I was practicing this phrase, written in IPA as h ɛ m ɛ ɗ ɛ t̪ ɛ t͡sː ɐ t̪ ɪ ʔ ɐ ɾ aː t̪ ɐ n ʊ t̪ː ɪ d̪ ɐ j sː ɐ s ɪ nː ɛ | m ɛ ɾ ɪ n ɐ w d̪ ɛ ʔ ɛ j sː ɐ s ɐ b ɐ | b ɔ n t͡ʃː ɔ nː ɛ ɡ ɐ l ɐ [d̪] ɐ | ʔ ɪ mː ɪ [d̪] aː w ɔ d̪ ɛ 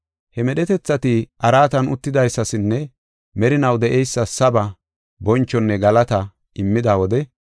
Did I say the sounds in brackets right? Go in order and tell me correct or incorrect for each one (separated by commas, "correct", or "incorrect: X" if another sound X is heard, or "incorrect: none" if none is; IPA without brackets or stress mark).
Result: incorrect: t̪, correct